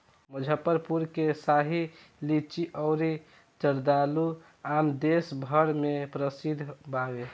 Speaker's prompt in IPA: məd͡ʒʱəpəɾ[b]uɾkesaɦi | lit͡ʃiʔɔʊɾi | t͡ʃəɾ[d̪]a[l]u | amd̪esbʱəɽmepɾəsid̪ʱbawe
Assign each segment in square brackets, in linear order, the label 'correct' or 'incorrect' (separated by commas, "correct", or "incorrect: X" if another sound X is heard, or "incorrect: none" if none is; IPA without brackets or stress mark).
incorrect: p, correct, correct